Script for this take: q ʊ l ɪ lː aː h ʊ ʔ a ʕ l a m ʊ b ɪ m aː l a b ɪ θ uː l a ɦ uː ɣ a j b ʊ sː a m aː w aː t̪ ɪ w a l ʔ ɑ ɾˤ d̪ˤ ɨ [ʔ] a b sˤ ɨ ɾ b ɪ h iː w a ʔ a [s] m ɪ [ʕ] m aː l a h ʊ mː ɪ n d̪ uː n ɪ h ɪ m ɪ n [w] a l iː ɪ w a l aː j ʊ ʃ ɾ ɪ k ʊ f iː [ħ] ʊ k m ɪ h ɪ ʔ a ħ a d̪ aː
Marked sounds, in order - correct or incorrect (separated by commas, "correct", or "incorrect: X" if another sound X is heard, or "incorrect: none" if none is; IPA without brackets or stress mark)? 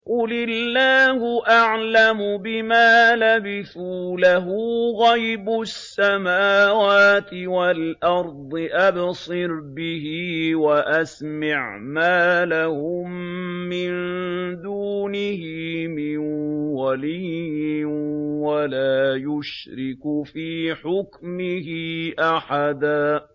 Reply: correct, correct, correct, correct, correct